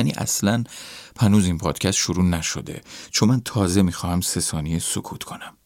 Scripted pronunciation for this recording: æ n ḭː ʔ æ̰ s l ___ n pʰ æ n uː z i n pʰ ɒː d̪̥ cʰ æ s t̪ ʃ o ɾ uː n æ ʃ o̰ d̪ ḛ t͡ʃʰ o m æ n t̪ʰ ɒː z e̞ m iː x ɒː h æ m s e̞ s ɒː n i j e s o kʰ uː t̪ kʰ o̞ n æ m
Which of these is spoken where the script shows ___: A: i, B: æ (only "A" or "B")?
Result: B